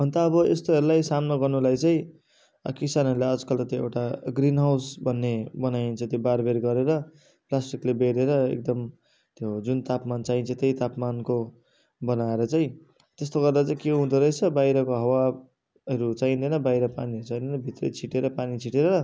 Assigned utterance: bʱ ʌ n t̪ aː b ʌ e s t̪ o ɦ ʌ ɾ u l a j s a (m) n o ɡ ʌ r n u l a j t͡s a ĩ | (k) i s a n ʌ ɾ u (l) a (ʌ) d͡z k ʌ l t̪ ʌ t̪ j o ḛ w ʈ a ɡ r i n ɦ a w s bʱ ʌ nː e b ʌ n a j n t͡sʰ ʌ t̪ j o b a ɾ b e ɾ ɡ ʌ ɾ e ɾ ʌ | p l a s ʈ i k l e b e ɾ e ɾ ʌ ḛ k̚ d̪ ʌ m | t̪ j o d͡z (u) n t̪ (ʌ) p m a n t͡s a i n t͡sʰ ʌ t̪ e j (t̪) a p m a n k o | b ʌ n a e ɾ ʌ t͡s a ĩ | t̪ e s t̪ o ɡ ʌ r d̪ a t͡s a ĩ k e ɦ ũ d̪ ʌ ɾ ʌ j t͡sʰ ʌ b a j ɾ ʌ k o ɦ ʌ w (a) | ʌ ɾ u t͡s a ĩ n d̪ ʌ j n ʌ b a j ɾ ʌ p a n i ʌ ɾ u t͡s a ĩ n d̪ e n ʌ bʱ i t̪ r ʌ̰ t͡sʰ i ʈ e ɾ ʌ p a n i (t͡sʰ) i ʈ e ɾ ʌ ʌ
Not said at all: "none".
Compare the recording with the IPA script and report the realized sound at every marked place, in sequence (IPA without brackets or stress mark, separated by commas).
m, k, l, ʌ, u, a, t̪, a, t͡sʰ